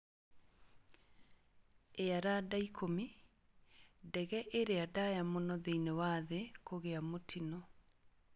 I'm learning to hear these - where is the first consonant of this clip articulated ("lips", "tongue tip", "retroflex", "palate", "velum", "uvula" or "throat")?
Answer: tongue tip